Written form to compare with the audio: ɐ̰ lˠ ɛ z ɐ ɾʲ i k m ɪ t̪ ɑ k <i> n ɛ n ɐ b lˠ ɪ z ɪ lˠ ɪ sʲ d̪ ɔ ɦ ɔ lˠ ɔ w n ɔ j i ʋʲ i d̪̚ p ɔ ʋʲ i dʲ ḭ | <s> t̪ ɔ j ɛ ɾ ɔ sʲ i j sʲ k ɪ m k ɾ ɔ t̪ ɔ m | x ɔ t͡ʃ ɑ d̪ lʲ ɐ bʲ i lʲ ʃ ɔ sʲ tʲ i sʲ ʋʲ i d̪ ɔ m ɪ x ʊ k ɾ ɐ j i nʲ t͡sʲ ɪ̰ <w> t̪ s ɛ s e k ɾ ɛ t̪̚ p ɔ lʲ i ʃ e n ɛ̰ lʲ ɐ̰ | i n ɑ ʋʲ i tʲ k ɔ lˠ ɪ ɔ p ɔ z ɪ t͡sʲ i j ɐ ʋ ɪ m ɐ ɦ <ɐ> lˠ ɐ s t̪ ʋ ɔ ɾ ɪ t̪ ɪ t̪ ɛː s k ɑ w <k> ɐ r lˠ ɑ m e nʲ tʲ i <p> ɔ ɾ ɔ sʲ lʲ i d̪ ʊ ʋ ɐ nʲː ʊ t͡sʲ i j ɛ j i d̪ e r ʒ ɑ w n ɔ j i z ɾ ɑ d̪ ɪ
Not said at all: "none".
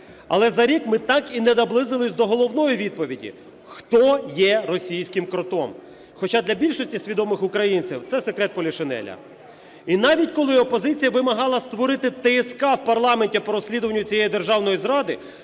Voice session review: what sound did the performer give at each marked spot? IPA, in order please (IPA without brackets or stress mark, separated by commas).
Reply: i, x, w, ɑ, p, p